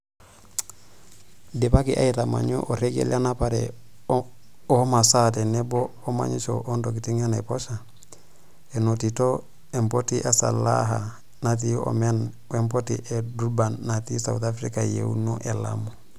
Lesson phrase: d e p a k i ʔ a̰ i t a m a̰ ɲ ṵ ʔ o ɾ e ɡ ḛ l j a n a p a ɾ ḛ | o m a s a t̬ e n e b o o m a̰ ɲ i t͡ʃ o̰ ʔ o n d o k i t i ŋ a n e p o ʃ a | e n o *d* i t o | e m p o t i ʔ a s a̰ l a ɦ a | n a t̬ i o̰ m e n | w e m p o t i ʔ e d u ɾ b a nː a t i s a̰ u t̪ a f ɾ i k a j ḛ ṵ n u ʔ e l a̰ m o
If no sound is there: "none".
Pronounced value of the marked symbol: t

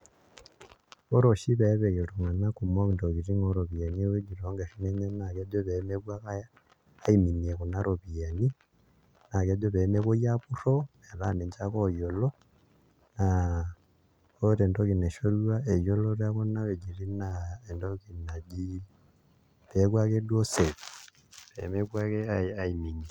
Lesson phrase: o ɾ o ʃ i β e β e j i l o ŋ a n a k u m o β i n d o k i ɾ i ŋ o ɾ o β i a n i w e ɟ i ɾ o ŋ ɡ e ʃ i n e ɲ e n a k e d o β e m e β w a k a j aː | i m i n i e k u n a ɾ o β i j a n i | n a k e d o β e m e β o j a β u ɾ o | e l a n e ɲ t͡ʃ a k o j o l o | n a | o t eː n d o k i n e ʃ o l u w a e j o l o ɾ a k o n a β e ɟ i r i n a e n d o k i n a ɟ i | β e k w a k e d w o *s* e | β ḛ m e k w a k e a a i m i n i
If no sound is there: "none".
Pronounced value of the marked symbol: s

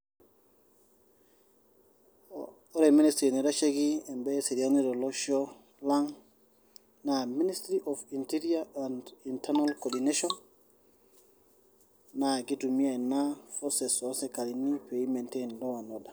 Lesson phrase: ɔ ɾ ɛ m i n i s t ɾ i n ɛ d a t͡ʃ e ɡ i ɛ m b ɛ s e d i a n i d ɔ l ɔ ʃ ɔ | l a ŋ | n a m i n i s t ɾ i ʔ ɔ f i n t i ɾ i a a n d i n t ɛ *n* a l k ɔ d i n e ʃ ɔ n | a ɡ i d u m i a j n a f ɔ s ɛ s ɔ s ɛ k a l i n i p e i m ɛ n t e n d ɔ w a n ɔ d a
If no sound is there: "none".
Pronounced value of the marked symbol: n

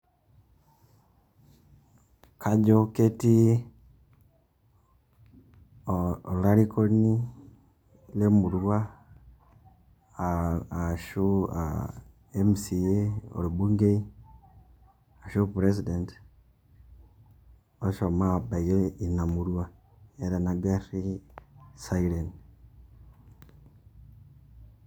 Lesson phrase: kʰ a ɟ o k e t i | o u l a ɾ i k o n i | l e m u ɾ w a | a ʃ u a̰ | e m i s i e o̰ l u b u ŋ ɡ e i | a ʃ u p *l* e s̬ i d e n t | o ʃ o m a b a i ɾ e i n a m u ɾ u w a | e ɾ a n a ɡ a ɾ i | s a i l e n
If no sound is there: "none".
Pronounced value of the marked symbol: ɾ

